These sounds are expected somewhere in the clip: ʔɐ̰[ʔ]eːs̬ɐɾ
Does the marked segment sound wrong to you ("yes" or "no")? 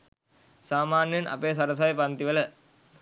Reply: yes